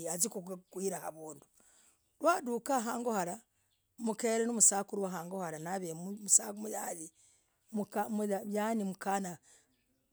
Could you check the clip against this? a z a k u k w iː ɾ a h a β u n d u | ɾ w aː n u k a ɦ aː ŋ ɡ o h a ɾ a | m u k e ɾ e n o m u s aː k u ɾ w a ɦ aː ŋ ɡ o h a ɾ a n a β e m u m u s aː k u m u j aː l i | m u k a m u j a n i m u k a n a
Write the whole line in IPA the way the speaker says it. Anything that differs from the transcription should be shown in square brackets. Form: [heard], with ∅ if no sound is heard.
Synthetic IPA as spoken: a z [i] k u k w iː ɾ a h a β [uː] n d u | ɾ w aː [d] u k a ɦ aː ŋ ɡ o h a ɾ a | m u k e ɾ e n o m u s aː k u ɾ w a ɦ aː ŋ ɡ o h a ɾ a n a β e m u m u s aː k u m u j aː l i | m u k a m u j a n i m u k a n a